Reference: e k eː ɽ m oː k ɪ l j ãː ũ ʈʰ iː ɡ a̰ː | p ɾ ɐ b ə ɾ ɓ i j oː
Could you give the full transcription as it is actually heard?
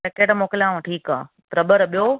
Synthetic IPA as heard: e k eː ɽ m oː k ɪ l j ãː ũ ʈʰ iː k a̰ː | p ɾ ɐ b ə ɾ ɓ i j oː